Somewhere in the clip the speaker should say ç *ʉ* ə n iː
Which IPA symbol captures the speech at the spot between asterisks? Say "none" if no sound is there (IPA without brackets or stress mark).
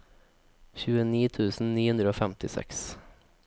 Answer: ʉː